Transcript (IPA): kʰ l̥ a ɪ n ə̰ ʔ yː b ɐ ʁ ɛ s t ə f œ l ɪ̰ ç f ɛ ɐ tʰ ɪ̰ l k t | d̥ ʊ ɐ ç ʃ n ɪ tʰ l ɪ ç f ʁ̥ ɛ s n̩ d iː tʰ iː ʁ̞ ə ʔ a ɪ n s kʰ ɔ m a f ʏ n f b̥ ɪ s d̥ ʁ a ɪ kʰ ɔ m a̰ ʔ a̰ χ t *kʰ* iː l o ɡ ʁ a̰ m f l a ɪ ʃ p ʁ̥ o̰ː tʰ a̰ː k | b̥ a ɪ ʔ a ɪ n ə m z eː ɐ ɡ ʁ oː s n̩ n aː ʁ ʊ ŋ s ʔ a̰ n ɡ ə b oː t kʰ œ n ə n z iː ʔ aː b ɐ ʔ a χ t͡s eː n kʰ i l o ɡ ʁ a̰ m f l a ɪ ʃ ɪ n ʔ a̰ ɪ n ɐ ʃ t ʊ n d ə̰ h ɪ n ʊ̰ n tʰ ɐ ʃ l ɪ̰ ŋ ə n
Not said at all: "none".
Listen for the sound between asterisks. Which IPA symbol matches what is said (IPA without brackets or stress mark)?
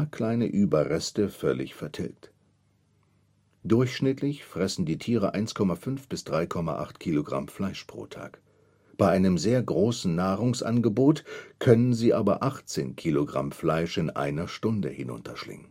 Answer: kʰ